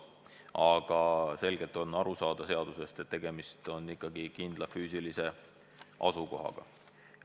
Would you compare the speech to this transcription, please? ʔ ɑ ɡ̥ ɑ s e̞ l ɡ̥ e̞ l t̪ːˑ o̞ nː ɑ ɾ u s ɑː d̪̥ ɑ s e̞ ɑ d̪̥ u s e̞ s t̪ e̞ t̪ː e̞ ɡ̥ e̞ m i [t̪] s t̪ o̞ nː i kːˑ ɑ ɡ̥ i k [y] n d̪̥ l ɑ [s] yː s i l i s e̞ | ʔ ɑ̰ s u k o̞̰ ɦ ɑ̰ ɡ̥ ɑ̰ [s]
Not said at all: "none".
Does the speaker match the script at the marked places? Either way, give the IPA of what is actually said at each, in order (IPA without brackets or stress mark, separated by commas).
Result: none, i, f, none